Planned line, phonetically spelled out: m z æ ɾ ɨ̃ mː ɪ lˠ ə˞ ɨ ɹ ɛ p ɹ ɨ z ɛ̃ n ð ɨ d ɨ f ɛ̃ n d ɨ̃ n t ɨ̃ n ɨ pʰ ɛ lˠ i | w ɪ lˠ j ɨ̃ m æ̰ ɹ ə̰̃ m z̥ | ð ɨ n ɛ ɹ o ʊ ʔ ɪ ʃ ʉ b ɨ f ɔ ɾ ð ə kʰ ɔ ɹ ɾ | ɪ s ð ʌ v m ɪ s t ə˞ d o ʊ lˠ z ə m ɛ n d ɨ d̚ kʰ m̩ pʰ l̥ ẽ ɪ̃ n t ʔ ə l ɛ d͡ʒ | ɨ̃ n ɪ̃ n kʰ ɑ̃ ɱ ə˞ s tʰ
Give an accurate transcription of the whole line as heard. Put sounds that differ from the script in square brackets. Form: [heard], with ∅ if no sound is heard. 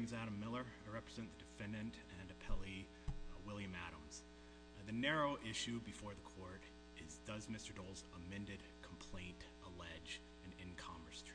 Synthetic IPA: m z æ ɾ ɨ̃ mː ɪ lˠ ə˞ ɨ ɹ ɛ p ɹ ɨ z ɛ̃ n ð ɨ d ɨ f ɛ̃ n d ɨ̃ n t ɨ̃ n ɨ pʰ ɛ lˠ i | w ɪ lˠ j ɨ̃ m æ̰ [ɾ] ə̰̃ m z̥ | ð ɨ n ɛ ɹ o ʊ ʔ ɪ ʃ ʉ b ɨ f ɔ [ɹ] ð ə kʰ ɔ ɹ ɾ | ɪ [z] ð ʌ [z] m ɪ s t ə˞ d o ʊ lˠ z ə m [ɛ̃] n d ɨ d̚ kʰ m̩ pʰ l̥ ẽ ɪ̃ n t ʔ ə l ɛ d͡ʒ | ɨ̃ n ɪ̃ n kʰ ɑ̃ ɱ ə˞ s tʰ